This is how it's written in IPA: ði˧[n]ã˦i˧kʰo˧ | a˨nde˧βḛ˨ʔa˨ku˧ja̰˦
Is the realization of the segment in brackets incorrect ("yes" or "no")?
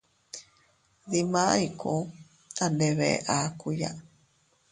yes